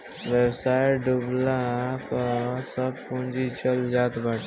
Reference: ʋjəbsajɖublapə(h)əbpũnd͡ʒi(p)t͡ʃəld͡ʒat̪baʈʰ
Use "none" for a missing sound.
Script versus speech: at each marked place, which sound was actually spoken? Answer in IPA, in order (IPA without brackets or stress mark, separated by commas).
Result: s, none